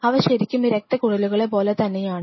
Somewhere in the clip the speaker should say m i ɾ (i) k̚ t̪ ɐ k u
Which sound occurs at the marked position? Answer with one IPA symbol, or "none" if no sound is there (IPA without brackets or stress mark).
e